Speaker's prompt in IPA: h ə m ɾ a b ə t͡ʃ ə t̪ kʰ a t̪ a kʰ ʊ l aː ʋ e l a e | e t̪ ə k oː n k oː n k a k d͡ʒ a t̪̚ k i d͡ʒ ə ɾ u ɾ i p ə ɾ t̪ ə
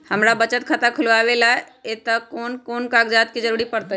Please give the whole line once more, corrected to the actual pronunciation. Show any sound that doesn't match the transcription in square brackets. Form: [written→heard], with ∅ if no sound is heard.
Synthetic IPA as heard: h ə m ɾ a b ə t͡ʃ ə t̪ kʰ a t̪ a kʰ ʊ l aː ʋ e l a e | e t̪ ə k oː n k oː n k a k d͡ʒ a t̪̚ k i d͡ʒ ə ɾ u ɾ i p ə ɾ t̪ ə